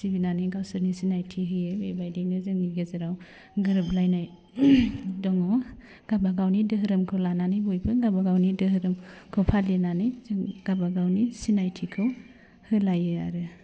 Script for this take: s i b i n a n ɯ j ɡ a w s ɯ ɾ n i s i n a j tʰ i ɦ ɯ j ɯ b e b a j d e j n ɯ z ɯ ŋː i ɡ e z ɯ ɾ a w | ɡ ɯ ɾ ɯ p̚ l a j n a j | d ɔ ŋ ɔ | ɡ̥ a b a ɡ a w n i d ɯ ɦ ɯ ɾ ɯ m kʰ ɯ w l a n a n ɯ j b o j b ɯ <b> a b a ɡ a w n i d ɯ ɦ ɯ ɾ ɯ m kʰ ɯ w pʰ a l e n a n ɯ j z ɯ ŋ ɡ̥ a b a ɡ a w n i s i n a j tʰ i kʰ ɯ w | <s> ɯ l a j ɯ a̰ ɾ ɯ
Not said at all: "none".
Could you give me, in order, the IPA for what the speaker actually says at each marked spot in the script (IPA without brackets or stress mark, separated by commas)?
ɡ, h